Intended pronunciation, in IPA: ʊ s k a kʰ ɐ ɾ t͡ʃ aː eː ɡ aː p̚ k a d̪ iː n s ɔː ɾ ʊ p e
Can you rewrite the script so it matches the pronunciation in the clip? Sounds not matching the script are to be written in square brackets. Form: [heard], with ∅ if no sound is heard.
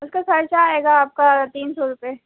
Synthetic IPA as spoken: ʊ s k a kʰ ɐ ɾ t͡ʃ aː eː ɡ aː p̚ k a [t̪] iː n s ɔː ɾ ʊ p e